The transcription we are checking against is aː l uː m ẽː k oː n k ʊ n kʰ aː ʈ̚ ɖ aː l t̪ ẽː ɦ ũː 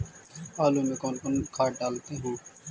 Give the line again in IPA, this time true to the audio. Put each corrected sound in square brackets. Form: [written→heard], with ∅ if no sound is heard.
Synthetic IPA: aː l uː m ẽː k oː n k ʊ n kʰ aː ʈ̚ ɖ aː l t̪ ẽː ɦ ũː